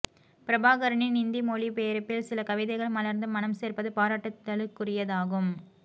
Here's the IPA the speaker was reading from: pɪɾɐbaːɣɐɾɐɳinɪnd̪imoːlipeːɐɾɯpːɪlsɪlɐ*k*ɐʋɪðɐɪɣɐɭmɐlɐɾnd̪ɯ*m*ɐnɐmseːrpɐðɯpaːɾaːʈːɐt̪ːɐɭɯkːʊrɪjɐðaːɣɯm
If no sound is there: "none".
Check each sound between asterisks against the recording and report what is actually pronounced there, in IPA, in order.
k, m

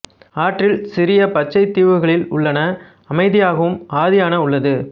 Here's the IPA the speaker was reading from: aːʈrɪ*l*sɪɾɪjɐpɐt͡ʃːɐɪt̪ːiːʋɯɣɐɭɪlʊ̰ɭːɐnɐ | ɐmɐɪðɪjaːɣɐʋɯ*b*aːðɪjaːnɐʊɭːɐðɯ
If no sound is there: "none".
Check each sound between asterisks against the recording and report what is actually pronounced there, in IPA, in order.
l, m

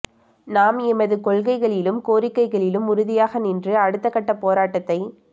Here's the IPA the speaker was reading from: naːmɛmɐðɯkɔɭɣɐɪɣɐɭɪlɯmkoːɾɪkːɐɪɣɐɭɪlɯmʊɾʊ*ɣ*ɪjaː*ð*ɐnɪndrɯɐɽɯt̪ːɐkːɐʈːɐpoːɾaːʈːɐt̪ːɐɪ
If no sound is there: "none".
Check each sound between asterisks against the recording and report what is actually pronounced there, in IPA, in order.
ð, ɣ

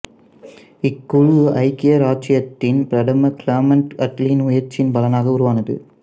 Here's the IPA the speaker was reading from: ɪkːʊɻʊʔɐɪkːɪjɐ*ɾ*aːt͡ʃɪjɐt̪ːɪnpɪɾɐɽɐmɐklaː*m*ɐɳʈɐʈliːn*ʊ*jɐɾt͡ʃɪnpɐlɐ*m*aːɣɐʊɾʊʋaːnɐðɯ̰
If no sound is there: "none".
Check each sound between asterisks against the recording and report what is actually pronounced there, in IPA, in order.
ɾ, m, ʊ, n

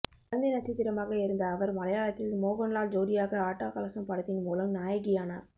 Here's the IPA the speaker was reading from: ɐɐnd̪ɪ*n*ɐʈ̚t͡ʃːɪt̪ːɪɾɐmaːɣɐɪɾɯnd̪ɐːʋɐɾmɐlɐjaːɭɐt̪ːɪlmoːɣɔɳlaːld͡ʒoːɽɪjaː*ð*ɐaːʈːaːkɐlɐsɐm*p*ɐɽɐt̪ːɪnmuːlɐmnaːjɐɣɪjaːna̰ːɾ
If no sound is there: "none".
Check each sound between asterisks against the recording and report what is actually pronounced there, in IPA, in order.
n, ɣ, p

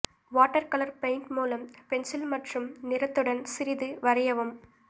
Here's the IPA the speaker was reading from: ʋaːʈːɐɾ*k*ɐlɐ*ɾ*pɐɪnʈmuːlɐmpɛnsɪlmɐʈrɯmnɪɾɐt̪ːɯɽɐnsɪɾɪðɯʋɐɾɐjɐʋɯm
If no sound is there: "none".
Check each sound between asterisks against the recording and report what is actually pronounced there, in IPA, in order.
k, ɾ

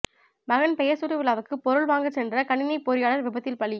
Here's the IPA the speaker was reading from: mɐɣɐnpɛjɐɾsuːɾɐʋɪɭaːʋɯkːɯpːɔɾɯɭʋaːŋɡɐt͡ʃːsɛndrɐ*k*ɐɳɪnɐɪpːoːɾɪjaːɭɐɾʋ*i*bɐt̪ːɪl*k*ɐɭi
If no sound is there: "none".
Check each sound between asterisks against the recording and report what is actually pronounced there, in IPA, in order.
k, ɪ, p

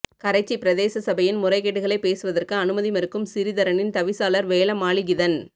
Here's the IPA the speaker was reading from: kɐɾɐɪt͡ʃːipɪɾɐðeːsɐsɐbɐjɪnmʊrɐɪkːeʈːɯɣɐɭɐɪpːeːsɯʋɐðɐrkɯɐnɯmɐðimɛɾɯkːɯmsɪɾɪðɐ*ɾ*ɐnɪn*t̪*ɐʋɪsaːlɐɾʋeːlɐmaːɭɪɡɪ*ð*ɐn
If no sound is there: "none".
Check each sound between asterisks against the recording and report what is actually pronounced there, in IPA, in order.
ɾ, t̪, ð

